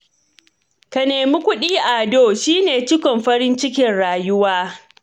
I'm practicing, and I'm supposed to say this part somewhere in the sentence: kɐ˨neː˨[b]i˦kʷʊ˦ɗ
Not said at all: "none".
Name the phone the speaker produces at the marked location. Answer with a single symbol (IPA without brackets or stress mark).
m